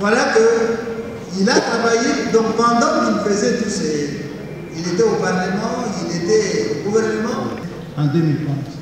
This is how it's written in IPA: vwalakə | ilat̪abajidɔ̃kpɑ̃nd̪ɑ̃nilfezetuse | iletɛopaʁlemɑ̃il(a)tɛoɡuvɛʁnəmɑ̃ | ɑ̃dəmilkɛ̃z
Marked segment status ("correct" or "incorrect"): incorrect